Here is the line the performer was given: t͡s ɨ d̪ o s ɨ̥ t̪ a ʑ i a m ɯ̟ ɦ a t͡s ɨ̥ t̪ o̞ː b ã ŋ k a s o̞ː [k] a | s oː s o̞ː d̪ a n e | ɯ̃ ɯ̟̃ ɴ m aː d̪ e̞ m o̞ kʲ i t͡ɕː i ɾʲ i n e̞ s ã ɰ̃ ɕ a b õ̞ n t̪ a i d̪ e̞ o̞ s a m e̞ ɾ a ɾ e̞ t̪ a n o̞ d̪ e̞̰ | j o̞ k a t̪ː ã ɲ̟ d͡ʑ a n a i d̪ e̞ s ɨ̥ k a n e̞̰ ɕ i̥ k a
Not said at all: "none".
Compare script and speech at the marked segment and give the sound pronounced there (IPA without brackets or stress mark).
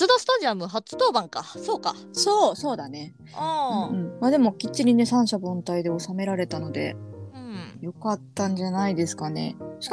k